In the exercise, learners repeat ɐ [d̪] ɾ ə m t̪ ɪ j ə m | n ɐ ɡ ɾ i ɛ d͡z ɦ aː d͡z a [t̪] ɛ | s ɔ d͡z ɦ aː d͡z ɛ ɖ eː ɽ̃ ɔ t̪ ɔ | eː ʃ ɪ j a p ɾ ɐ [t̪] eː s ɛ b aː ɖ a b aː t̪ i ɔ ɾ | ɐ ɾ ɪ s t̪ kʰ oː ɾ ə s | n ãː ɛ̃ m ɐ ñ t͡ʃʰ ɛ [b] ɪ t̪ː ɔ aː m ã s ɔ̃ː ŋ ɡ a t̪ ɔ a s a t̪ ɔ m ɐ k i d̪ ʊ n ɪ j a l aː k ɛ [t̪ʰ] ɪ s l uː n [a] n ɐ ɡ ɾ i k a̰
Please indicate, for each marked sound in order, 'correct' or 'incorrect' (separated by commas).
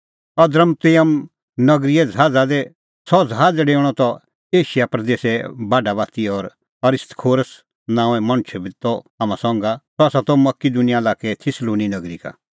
correct, incorrect, incorrect, correct, correct, incorrect